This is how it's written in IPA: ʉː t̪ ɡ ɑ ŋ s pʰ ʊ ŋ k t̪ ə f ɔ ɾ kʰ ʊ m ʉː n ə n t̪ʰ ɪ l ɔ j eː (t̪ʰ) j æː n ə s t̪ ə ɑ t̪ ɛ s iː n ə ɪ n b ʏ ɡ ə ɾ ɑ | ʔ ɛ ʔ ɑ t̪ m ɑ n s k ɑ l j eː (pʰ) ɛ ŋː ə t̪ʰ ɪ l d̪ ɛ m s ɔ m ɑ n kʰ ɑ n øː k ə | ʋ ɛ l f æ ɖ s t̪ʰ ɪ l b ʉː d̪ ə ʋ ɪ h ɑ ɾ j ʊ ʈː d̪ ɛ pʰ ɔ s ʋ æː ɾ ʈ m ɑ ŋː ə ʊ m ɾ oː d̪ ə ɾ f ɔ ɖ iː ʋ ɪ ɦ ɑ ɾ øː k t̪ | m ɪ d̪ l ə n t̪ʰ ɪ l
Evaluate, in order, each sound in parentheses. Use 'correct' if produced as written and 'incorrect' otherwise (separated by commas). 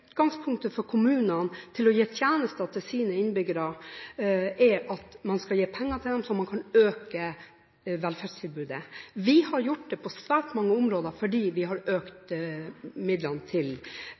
correct, correct